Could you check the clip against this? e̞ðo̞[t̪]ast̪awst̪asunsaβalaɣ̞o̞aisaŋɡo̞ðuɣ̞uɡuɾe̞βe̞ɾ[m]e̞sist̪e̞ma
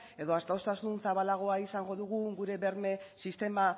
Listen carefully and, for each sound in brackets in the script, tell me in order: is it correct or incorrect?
incorrect: none, correct

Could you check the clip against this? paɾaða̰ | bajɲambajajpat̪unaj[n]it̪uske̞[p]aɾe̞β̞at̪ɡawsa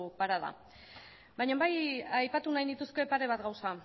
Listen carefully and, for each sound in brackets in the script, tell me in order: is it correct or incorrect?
correct, correct

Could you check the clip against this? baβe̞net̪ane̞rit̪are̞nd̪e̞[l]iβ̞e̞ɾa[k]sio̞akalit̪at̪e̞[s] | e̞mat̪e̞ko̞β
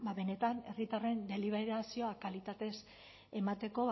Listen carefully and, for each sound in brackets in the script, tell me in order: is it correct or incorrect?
correct, incorrect: none, correct

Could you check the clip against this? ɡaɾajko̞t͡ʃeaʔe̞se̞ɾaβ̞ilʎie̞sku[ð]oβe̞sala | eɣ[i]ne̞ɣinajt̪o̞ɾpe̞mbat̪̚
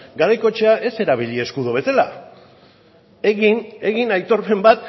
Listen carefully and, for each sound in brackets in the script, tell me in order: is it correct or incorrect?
correct, correct

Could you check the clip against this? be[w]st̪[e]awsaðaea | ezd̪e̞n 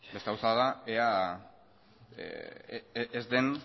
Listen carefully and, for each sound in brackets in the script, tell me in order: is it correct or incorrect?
incorrect: none, correct

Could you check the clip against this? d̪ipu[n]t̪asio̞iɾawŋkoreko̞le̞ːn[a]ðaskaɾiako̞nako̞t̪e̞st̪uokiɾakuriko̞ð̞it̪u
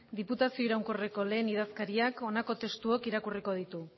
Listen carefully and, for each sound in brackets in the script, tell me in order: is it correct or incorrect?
incorrect: none, incorrect: i

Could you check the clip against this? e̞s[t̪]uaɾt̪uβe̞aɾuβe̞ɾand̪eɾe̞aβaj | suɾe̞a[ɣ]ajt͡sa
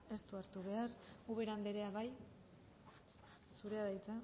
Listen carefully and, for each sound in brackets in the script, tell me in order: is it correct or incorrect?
correct, incorrect: ð

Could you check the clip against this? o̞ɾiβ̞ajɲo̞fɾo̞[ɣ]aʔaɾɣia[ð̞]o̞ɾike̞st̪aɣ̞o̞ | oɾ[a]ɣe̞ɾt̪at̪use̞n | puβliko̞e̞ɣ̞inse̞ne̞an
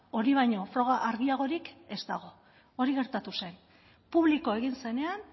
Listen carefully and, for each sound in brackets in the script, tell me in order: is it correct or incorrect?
correct, incorrect: ɣ̞, incorrect: i

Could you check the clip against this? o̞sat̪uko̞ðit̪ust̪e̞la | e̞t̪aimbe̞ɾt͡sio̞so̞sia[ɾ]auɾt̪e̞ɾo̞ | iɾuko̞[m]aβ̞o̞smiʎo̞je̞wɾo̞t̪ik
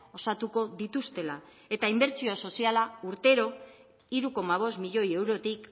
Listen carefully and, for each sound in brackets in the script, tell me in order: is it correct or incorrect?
incorrect: l, correct

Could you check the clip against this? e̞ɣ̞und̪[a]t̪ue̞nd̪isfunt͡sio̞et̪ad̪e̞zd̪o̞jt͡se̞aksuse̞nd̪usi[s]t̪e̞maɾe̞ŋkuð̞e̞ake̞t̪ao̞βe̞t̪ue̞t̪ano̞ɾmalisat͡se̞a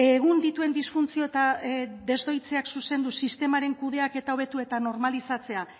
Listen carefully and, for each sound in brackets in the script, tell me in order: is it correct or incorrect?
incorrect: i, correct

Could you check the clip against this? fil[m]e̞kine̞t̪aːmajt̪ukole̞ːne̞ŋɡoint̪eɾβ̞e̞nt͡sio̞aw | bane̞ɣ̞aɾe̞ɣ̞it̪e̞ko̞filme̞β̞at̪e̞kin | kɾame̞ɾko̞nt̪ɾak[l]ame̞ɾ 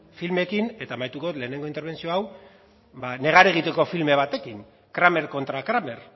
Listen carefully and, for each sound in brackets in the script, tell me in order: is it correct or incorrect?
correct, incorrect: ɾ

